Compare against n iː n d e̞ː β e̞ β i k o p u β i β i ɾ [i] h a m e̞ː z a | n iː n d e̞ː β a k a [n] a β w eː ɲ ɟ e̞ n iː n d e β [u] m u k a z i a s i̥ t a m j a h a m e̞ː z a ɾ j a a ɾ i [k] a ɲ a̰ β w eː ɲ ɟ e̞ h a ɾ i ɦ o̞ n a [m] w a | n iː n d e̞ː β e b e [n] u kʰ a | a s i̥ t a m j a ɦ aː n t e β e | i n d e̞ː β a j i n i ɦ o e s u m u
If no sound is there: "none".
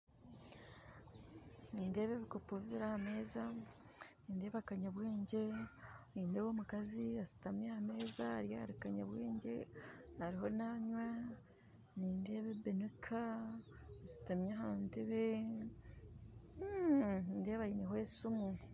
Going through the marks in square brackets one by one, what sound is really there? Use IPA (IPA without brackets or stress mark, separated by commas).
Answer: a, ɲ, o, k, ɲ, n